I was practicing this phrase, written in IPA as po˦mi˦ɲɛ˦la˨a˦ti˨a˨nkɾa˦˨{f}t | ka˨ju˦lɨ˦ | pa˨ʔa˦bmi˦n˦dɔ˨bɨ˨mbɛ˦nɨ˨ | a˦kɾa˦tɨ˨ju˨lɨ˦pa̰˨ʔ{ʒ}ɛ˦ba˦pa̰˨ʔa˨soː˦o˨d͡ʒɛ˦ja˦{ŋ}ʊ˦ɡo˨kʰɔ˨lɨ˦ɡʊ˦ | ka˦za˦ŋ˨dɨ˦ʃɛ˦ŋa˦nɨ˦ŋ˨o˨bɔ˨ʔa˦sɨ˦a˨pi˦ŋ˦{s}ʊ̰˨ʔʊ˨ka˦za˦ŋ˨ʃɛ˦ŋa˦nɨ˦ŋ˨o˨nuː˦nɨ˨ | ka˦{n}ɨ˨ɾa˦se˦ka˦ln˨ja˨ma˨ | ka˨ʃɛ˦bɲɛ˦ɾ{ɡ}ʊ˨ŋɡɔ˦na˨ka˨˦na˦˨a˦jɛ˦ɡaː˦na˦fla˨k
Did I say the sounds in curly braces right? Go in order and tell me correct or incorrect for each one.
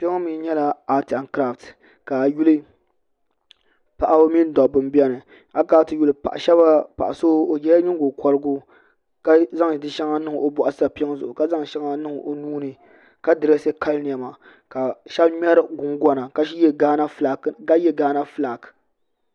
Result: correct, incorrect: ʃ, incorrect: ɲ, incorrect: z, incorrect: d, correct

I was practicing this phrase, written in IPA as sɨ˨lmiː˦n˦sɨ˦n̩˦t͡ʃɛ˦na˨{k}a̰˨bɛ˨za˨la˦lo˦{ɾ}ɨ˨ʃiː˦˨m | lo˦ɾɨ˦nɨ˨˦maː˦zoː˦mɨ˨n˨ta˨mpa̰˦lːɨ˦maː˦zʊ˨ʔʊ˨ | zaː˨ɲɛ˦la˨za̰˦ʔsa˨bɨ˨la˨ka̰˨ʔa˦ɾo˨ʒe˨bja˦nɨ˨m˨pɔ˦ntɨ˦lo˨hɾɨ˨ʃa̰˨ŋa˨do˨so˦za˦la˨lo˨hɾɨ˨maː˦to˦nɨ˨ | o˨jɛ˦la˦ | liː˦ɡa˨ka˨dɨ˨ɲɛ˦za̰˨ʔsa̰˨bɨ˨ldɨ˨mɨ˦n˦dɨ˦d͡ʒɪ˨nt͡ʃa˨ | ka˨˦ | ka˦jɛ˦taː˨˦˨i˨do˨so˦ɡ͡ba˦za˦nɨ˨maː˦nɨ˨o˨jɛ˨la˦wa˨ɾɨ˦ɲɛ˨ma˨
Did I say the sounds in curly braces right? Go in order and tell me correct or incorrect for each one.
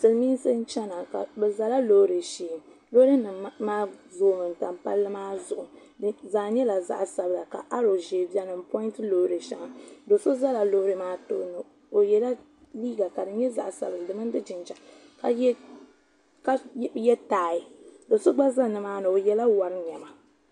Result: correct, correct

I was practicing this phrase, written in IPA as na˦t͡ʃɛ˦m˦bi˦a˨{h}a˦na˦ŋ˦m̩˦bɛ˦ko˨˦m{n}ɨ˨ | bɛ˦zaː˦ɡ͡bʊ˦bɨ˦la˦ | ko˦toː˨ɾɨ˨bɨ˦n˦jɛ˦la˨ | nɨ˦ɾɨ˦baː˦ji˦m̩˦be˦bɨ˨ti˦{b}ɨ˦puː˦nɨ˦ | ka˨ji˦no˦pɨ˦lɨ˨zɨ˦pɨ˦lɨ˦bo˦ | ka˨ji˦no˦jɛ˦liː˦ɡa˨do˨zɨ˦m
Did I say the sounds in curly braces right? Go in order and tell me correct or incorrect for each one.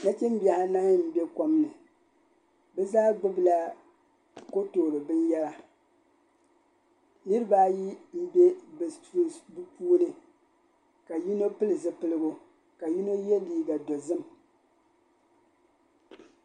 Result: correct, correct, correct

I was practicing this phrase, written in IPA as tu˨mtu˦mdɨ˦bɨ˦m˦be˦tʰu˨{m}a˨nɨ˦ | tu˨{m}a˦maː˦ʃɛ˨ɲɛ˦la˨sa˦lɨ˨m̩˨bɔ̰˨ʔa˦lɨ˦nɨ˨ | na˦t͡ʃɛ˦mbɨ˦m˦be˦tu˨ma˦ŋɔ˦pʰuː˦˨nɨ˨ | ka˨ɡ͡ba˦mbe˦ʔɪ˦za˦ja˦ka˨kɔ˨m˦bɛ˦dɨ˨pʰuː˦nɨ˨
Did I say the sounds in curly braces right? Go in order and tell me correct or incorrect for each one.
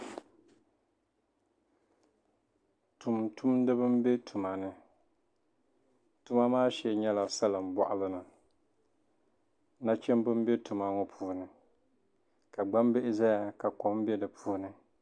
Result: correct, correct

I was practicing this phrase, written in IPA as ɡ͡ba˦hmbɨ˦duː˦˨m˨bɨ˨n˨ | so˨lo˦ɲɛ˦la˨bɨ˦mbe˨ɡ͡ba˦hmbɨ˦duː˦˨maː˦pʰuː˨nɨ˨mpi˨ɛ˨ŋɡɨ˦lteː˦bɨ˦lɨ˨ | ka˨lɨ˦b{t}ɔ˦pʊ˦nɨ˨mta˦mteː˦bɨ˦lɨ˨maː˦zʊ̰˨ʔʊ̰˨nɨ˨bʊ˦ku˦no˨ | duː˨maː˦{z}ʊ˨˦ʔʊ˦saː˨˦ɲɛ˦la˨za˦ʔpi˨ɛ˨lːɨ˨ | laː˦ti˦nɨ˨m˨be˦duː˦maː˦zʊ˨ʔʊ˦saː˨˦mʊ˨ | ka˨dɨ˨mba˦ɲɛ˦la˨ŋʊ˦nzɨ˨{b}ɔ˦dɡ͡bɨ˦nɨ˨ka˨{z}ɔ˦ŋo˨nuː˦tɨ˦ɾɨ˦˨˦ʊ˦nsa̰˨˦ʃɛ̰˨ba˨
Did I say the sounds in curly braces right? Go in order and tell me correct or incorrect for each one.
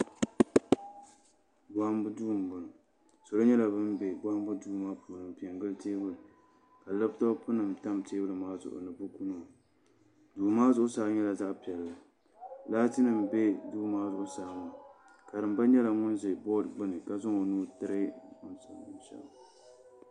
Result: correct, correct, correct, correct

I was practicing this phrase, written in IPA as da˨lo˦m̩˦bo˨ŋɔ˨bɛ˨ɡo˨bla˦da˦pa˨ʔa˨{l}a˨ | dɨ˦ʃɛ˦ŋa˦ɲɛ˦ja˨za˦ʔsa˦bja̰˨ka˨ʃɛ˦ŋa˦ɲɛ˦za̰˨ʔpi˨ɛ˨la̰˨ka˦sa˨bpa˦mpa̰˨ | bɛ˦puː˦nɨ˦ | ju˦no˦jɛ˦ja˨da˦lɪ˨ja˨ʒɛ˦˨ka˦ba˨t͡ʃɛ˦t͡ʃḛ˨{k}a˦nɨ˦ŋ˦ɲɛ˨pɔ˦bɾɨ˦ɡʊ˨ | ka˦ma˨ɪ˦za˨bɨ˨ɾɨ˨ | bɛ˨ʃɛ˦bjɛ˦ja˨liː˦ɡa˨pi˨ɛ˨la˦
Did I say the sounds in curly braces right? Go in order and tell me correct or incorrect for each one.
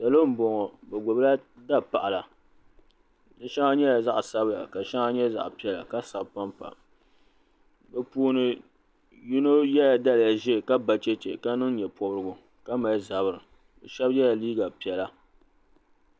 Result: correct, correct

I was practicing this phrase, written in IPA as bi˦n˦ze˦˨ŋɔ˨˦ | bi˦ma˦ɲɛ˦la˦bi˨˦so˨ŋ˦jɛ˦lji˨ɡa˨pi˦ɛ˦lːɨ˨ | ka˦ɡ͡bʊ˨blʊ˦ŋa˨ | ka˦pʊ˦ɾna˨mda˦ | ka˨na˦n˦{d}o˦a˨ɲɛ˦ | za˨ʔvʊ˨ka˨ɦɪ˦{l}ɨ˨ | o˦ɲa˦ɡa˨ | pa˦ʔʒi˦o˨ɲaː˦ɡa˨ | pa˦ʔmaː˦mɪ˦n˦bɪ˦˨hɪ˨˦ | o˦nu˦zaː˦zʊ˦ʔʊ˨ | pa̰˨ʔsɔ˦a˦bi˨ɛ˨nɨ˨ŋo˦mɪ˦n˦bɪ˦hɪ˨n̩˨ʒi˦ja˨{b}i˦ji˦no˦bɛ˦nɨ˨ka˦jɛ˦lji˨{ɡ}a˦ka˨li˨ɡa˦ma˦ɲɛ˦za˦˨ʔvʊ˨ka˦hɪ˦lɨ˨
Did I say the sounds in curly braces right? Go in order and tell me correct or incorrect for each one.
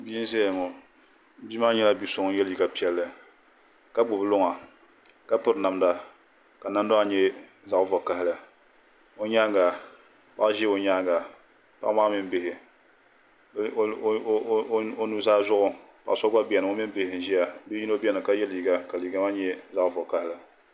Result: correct, correct, correct, correct

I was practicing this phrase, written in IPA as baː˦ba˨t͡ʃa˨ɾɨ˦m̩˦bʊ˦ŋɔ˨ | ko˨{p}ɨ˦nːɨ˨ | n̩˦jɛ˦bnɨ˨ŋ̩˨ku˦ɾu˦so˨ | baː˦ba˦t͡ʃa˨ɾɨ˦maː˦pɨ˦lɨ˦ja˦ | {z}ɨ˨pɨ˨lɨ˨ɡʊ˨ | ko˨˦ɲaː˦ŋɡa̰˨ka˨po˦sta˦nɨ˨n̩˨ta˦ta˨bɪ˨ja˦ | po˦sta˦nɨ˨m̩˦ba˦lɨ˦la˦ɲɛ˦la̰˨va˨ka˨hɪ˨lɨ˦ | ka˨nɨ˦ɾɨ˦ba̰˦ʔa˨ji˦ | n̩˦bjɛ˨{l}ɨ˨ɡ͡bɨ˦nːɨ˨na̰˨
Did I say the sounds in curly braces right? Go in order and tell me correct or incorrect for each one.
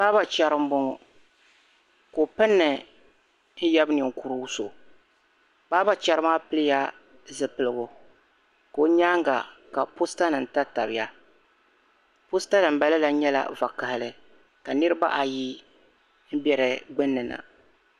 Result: correct, correct, incorrect: ɾ

